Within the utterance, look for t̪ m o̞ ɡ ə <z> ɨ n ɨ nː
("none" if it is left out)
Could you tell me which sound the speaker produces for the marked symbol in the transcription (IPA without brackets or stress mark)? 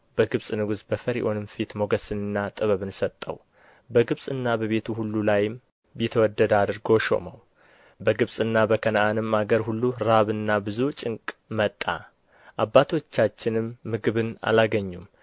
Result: s